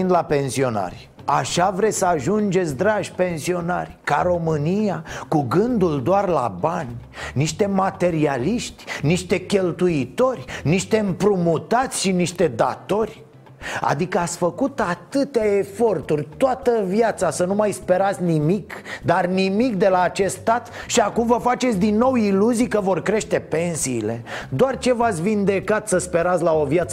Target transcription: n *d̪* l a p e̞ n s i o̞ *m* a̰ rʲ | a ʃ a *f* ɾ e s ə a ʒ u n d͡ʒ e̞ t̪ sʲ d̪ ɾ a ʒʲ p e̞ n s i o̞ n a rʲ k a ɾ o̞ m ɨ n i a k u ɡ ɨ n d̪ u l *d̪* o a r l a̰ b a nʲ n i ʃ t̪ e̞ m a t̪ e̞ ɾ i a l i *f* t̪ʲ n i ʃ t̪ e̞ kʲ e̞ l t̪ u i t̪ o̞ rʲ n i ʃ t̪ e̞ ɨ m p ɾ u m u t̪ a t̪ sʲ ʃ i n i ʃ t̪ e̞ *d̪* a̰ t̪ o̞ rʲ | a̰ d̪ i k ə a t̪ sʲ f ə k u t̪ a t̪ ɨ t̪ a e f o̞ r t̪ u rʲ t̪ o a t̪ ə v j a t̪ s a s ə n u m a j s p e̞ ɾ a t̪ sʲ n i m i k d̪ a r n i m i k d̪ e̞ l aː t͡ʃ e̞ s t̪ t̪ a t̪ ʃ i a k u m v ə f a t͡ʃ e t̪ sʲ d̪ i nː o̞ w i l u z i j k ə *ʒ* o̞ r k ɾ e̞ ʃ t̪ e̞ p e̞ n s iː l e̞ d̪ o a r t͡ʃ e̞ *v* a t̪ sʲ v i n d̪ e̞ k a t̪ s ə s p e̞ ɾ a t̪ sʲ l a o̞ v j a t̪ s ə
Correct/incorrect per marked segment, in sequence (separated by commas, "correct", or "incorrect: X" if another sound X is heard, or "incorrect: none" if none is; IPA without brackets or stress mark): correct, incorrect: n, incorrect: v, correct, incorrect: ʃ, correct, incorrect: v, correct